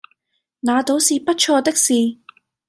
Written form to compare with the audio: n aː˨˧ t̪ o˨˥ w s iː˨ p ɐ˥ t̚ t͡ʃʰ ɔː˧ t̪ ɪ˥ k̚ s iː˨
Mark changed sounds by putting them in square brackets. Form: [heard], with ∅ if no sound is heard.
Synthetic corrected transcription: n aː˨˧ t̪ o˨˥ w s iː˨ p ɐ˥ t̚ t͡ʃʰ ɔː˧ t̪ ɪ˥ k̚ s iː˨